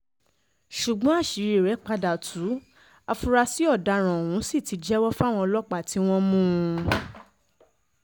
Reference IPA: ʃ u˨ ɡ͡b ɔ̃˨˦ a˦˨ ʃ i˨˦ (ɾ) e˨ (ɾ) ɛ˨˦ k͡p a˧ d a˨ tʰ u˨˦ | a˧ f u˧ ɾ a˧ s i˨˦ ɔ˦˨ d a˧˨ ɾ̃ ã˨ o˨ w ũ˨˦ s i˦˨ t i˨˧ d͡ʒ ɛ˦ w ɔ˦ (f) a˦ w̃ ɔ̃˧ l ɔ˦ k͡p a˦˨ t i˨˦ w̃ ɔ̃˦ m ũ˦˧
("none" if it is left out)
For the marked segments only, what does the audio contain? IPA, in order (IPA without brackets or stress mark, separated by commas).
ɾ, ɾ, f